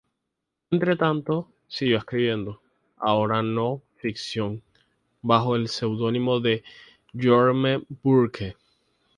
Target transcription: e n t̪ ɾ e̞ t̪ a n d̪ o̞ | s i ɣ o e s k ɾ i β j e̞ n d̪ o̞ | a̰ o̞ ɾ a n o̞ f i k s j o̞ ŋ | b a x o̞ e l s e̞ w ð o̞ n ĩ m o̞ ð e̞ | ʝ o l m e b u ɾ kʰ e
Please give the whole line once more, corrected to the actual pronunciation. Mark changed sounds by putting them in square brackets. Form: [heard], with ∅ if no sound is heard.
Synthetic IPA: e n t̪ ɾ e̞ t̪ a n [t̪] o̞ | s i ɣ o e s k ɾ i β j e̞ n d̪ o̞ | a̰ o̞ ɾ a n o̞ f i k s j o̞ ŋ | b a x o̞ e l s e̞ w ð o̞ n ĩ m o̞ ð e̞ | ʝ o [ɾ] m e b u ɾ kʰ e